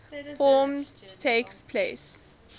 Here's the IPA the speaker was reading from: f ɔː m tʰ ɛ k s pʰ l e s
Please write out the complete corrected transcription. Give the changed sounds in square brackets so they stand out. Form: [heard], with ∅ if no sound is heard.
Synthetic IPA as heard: f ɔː m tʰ [e] k s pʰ l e s